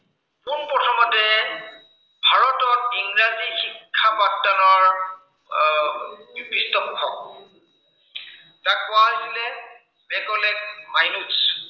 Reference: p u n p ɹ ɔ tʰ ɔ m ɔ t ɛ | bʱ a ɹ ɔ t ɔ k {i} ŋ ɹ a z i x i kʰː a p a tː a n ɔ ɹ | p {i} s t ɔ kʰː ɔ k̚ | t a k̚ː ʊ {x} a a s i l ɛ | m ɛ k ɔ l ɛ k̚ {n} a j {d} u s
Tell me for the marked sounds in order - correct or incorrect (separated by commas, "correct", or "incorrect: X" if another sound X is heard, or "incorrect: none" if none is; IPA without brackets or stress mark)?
correct, correct, incorrect: none, incorrect: m, incorrect: n